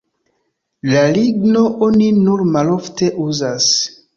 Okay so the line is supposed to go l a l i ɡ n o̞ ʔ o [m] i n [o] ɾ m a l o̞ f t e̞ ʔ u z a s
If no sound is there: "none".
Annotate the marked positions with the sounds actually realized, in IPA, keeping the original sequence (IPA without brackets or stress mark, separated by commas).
n, u